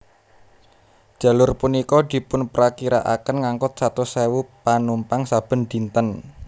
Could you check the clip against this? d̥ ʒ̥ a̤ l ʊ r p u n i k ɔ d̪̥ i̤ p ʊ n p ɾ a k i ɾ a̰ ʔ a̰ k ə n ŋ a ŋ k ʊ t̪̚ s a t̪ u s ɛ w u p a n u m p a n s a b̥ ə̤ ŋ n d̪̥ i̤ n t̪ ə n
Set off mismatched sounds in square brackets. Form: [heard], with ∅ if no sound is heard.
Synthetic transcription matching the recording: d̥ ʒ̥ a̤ l ʊ r p u n i k ɔ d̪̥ i̤ p ʊ n p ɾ a k i ɾ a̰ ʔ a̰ k ə n ŋ a ŋ k ʊ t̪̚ s a t̪ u s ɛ w u p a n u m p a [ŋ] s a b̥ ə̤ [∅] n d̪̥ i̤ n t̪ ə n